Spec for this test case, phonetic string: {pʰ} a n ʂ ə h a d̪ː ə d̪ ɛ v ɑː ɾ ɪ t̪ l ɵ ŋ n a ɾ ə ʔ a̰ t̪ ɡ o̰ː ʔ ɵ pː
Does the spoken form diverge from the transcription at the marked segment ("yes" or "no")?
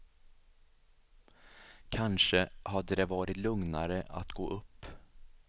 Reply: yes